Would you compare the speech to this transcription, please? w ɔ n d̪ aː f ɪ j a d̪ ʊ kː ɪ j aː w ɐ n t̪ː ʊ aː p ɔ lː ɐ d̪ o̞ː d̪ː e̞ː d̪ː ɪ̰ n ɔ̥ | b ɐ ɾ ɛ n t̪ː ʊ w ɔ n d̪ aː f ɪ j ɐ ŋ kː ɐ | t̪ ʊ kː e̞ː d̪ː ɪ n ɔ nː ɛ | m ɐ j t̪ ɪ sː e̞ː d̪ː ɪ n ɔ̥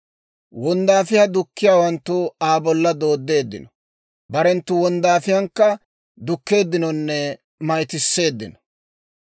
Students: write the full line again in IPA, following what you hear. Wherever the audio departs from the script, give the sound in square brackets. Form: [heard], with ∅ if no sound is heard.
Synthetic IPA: w ɔ n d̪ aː f ɪ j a d̪ ʊ kː ɪ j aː w ɐ n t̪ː ʊ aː [b] ɔ lː ɐ d̪ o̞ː d̪ː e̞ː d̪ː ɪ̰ n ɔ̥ | b ɐ ɾ ɛ n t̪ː ʊ w ɔ n d̪ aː f ɪ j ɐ ŋ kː ɐ | [d̪] ʊ kː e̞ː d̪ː ɪ n ɔ nː ɛ | m ɐ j t̪ ɪ sː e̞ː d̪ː ɪ n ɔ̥